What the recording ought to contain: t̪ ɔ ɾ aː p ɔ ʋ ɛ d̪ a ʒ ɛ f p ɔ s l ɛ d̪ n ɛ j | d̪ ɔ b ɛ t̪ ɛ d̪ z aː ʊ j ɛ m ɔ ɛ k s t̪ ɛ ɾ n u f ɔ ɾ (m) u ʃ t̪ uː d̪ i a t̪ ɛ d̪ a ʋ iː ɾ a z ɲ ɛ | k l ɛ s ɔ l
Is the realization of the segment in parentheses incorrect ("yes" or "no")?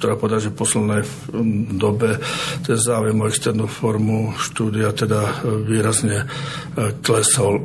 no